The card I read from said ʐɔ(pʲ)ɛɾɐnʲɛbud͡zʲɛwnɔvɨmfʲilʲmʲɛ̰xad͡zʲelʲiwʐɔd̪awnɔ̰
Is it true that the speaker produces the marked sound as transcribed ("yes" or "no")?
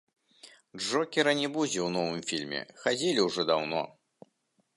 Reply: no